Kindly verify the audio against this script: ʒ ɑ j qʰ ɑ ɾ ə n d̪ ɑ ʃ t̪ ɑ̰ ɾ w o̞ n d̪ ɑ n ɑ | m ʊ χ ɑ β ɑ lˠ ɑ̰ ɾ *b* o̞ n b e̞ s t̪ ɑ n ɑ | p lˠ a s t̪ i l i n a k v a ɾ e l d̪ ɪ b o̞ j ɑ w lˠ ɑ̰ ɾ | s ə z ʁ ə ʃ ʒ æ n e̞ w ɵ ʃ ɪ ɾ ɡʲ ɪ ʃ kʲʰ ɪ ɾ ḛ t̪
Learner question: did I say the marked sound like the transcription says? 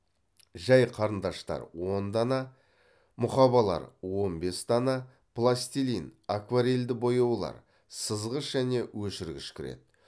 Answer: no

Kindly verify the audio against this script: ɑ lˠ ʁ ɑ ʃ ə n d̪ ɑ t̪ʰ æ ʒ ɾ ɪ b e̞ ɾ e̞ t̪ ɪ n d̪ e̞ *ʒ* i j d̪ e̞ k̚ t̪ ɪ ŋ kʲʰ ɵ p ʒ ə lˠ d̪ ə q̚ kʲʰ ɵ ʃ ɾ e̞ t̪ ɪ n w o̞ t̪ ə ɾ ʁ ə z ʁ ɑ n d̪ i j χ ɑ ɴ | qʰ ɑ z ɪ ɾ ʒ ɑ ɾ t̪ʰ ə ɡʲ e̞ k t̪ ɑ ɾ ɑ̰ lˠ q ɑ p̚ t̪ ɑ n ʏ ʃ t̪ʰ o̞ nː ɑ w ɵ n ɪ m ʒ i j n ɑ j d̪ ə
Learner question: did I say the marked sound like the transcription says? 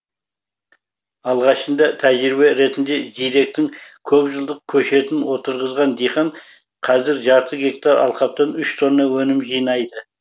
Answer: yes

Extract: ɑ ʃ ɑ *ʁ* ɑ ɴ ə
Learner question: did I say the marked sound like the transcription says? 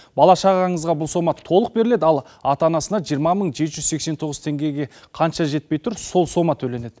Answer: yes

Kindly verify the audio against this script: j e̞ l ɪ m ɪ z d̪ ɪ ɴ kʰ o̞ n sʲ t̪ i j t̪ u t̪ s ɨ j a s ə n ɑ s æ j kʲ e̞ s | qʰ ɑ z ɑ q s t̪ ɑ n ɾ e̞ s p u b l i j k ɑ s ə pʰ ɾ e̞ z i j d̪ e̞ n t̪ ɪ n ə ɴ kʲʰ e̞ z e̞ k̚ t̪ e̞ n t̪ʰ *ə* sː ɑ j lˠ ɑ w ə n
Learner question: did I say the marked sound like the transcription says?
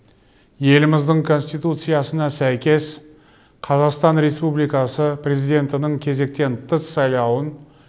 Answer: yes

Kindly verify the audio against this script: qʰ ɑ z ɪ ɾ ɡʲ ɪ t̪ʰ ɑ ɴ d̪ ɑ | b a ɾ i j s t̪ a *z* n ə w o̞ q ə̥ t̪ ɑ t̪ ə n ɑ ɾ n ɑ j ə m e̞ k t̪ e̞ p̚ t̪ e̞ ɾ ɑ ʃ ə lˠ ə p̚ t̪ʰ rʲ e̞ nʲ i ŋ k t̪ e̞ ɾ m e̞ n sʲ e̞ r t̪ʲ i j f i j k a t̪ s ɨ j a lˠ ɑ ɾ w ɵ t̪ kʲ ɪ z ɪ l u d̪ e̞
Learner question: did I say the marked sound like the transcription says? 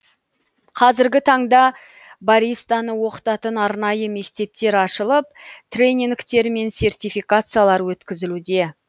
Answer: no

